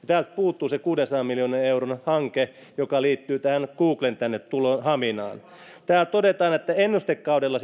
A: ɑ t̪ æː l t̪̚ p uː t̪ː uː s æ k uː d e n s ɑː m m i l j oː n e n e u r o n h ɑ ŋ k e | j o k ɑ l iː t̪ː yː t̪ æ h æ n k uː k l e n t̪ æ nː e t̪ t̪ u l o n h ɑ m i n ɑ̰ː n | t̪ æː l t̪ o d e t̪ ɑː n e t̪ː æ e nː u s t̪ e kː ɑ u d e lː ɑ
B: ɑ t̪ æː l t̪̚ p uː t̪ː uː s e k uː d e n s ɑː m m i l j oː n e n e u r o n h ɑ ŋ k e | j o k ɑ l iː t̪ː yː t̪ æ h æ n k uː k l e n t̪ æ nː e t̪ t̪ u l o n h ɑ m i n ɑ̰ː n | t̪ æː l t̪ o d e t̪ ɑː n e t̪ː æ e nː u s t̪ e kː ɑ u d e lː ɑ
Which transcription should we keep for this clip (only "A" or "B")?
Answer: B